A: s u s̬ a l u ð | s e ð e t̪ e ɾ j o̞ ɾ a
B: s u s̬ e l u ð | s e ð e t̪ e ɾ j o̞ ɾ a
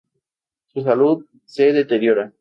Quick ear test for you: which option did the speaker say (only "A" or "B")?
A